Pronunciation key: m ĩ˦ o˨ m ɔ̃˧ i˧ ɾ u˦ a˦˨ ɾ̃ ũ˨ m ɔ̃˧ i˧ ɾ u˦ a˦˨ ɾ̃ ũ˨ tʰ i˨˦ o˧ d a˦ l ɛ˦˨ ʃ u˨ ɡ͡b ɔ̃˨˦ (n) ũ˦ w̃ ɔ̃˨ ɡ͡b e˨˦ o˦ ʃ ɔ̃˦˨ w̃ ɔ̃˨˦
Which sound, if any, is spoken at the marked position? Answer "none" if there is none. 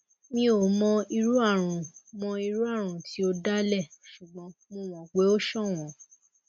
m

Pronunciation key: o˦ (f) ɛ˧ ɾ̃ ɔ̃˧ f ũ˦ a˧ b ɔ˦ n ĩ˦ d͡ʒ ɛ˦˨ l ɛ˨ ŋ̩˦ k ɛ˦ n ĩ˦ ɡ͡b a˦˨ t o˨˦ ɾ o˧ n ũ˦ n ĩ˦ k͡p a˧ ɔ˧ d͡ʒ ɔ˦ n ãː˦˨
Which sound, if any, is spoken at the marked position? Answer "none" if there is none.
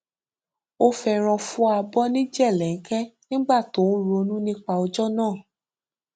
f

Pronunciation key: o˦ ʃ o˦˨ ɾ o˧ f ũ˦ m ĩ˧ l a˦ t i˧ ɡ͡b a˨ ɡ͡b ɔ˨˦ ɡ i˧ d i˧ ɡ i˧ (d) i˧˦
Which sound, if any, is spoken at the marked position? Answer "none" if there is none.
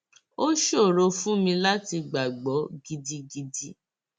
d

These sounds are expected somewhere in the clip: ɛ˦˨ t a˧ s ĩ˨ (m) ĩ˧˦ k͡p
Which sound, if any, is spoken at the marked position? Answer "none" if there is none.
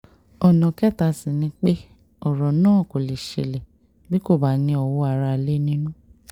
n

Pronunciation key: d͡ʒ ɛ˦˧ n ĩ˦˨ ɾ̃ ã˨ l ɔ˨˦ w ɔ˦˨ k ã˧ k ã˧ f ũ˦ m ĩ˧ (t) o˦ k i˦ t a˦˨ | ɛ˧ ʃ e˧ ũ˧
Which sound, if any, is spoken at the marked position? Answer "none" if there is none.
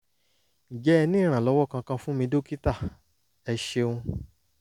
d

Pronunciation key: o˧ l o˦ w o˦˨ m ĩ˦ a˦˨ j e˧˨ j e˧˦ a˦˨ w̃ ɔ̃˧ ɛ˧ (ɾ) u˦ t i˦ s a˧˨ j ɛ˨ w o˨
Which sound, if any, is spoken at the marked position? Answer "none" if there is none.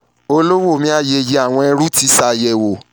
ɾ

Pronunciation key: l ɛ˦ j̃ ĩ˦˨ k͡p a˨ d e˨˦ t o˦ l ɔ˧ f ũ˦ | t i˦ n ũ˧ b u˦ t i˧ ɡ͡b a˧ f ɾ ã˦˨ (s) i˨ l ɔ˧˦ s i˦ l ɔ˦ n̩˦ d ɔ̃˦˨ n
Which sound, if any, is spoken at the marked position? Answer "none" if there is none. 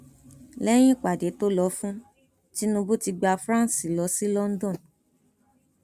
s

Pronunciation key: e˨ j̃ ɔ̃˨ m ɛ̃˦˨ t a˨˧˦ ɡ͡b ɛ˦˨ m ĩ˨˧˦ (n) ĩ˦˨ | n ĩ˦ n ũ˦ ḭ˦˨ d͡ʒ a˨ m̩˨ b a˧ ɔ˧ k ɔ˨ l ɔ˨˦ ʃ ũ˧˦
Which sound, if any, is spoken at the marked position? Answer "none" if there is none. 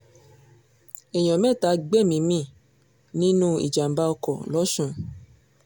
m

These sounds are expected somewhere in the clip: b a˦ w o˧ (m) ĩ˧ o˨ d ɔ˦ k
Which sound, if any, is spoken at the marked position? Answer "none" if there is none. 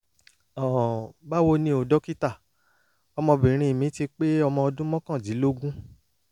n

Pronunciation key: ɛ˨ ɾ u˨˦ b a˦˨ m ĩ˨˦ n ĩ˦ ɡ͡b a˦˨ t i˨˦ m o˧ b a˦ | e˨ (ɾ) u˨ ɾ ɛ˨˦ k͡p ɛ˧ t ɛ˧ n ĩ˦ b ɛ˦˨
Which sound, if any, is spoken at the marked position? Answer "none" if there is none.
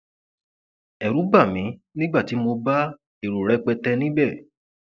ɾ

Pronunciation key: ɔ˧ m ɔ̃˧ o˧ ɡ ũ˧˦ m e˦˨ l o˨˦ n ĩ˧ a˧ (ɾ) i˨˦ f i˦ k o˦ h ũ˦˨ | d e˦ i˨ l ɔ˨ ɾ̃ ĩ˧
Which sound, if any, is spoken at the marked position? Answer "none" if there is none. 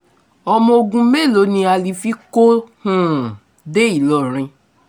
l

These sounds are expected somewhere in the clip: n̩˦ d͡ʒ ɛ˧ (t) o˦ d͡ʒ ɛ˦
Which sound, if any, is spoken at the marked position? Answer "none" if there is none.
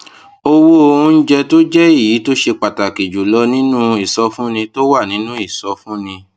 t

